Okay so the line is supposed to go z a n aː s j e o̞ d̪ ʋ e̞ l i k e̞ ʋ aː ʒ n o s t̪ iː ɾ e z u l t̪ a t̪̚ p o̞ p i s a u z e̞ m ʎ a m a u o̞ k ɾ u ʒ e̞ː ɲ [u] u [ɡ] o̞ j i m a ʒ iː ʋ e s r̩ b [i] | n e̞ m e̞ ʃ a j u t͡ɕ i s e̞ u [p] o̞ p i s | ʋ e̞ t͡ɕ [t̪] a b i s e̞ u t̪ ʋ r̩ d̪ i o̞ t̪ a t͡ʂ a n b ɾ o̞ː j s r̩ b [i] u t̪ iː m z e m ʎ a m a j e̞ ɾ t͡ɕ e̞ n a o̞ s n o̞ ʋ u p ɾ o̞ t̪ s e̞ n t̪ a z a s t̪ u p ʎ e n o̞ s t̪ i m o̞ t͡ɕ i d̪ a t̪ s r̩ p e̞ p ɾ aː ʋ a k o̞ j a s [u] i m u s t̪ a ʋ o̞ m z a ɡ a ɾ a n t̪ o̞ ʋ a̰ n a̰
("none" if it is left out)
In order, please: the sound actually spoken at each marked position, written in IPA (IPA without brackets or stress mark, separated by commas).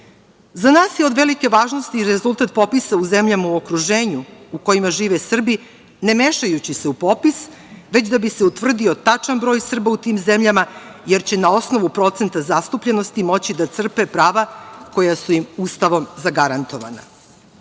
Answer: u, k, i, p, d̪, a, u